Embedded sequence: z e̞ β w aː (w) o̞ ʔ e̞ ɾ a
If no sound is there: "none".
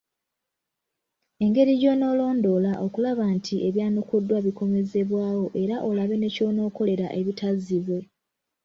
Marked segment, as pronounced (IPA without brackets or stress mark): w